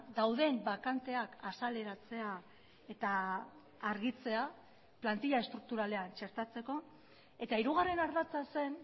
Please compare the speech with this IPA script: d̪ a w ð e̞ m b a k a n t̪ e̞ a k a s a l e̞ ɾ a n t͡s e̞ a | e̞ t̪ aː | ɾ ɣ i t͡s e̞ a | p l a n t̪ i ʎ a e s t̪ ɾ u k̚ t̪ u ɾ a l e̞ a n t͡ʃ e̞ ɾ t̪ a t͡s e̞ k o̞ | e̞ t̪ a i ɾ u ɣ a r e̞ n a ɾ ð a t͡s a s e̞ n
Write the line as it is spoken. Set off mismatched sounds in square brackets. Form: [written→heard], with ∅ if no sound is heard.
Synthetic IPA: d̪ a w ð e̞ m b a k a n t̪ e̞ a k a s a l e̞ ɾ a [n→∅] t͡s e̞ a | e̞ t̪ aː | ɾ ɣ i t͡s e̞ a | p l a n t̪ i ʎ a e s t̪ ɾ u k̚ t̪ u ɾ a l e̞ a n t͡ʃ e̞ ɾ t̪ a t͡s e̞ k o̞ | e̞ t̪ a i ɾ u ɣ a r e̞ n a ɾ ð a t͡s a s e̞ n